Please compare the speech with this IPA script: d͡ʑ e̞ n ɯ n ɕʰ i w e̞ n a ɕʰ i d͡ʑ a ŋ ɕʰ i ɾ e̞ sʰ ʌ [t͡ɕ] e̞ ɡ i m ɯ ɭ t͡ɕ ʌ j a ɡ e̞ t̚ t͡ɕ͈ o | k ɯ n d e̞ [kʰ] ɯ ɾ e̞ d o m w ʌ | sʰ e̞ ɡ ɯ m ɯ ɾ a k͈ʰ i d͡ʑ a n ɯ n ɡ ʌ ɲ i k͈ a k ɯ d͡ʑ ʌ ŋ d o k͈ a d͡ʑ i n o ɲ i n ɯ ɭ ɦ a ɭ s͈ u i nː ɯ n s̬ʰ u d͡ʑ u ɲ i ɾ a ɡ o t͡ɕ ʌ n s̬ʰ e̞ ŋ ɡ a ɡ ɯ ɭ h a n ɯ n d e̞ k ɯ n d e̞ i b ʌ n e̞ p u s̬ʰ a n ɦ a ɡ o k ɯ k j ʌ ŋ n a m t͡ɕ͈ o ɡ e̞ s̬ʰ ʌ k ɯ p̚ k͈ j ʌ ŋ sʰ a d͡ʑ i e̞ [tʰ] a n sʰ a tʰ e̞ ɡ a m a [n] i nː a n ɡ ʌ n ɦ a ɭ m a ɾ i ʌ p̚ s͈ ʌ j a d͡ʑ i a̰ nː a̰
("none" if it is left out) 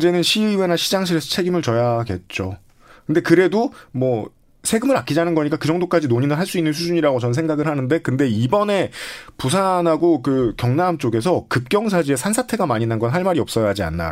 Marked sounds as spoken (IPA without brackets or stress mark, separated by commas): t͡ɕʰ, k, sʰ, ɲ